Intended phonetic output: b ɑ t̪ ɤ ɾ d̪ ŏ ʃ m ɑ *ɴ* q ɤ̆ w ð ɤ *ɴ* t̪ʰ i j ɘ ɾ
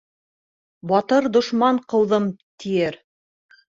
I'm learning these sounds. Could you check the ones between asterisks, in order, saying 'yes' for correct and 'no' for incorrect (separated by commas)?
yes, no